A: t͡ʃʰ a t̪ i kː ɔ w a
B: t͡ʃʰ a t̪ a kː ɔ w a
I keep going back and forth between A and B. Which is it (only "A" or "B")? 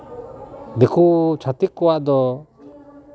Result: A